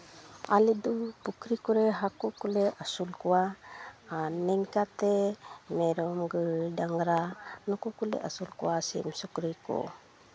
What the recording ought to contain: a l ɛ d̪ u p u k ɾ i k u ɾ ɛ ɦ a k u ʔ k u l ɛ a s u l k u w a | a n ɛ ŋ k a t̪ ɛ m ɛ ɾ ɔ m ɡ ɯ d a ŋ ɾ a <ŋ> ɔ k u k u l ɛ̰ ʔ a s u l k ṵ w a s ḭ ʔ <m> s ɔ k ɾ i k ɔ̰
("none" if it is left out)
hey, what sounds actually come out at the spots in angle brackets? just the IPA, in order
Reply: n, m

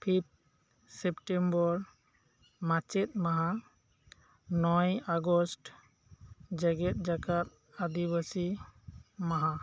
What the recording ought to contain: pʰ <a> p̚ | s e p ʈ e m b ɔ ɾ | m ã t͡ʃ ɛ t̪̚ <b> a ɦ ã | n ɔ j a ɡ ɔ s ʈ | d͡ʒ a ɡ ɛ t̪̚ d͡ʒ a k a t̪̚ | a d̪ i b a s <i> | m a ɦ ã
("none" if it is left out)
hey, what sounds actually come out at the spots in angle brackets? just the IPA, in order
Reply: i, m, i

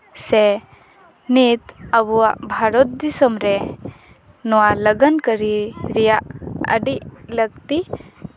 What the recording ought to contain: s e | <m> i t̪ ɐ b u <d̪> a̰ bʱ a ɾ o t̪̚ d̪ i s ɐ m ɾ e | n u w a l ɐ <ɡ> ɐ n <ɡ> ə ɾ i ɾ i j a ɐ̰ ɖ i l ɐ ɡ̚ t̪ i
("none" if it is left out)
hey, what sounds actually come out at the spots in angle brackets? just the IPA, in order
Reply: n, none, ɡ, k

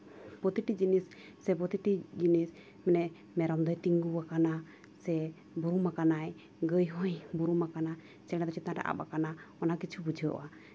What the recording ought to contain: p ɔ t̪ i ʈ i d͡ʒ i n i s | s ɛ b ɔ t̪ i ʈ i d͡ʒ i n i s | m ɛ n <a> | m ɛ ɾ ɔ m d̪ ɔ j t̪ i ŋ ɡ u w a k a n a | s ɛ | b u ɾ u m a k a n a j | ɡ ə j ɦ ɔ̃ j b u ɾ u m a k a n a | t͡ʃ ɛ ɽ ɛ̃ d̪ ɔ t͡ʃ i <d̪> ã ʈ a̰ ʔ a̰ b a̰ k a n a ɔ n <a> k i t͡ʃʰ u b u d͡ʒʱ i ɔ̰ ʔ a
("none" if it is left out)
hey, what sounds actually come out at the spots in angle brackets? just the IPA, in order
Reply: ɛ, t̪, a

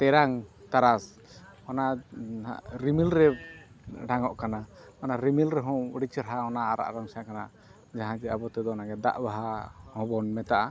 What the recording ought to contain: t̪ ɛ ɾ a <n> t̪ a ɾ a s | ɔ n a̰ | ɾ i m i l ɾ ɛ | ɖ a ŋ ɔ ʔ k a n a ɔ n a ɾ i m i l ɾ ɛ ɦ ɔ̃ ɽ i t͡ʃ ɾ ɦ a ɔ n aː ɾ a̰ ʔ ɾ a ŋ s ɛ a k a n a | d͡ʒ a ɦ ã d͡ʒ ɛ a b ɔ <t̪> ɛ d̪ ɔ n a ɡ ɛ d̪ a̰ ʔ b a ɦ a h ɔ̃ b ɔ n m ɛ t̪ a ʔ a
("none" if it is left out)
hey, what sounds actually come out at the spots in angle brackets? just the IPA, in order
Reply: ŋ, t̪

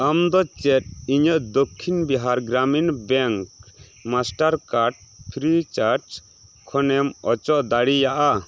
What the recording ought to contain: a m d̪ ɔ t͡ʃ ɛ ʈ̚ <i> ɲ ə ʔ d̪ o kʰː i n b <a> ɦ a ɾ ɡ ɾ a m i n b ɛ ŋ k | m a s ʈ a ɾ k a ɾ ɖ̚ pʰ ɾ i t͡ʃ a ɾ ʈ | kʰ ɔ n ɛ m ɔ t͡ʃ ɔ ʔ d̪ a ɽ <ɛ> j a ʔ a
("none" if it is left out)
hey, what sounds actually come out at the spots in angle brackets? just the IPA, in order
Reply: i, i, i

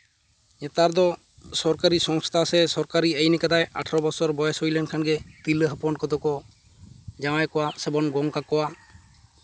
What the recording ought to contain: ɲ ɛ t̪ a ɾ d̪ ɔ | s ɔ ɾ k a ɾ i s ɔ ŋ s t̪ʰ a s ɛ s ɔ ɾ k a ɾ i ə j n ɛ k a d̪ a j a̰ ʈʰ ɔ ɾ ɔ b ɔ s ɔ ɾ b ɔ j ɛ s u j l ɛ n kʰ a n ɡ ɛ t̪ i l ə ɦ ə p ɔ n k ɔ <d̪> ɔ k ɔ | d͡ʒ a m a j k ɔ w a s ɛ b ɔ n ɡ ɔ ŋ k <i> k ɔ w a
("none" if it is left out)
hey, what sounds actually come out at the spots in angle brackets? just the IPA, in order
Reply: d̪, a

